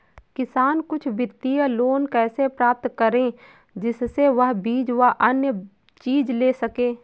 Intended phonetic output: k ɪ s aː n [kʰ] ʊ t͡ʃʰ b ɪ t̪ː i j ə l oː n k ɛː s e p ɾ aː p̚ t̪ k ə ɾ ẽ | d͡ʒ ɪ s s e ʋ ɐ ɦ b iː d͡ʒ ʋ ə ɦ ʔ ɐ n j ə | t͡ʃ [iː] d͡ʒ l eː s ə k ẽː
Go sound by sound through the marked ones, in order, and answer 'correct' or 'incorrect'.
incorrect: k, correct

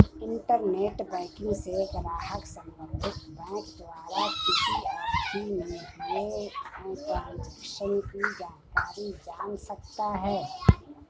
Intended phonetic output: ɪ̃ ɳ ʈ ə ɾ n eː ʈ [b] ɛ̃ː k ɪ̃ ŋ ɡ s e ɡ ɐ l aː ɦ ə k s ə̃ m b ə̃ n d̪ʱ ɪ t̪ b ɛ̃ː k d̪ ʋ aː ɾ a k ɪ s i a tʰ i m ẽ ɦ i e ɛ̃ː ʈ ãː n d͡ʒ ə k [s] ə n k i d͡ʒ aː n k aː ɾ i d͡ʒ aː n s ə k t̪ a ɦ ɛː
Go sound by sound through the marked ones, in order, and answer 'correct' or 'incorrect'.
correct, incorrect: ʃ

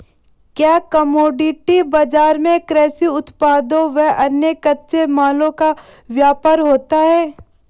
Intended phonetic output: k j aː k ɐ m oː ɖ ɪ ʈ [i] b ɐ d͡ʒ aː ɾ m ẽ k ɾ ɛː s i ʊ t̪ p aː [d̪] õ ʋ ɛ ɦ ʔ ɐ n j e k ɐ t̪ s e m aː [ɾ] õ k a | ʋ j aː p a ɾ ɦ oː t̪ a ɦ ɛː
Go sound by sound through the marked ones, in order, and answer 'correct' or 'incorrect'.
correct, correct, incorrect: l

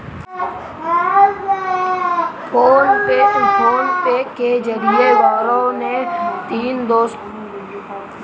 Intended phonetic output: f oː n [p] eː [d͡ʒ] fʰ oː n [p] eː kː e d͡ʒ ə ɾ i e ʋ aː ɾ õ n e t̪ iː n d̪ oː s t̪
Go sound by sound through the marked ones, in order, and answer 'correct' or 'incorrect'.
correct, incorrect: none, correct

